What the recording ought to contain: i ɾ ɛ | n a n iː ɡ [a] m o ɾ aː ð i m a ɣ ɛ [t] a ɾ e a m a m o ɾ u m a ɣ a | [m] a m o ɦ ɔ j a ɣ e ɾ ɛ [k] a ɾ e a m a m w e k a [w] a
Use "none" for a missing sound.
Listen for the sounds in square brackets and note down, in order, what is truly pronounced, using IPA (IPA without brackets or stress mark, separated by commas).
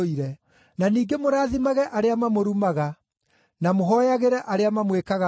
e, ʔ, n, ʔ, ɣ